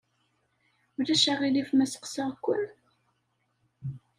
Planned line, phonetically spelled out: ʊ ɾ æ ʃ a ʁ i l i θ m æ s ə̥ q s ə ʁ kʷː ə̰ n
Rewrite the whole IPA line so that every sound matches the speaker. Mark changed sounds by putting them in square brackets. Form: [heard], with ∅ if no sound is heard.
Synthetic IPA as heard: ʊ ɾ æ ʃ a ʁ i l i [f] m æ s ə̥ q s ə ʁ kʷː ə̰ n